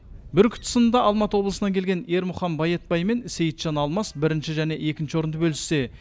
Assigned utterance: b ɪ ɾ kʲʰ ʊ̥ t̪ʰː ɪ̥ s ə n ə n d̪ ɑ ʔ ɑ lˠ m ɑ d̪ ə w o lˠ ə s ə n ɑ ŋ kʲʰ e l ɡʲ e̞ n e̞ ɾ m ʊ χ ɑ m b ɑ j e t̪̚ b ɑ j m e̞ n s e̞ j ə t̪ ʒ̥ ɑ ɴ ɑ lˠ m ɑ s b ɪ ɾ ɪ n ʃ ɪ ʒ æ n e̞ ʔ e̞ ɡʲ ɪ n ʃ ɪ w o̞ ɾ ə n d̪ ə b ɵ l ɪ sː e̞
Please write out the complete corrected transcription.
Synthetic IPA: b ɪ ɾ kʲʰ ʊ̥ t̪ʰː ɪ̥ s ə n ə n d̪ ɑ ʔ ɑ lˠ m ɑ t̪ ə w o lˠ ə s ə n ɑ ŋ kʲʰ e l ɡʲ e̞ n e̞ ɾ m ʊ χ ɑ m b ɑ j e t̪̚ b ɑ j m e̞ n s e̞ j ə t̪ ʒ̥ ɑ n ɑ lˠ m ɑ s b ɪ ɾ ɪ n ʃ ɪ ʒ æ n e̞ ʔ e̞ kʲ ɪ n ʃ ɪ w o̞ ɾ ə n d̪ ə b ɵ l ɪ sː e̞